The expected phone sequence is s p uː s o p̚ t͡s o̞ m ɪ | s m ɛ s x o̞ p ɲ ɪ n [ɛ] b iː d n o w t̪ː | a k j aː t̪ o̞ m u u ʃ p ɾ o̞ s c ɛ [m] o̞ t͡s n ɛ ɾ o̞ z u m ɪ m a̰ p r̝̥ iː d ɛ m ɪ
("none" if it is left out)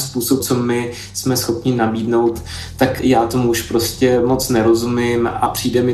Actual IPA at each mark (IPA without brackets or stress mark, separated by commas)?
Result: a, m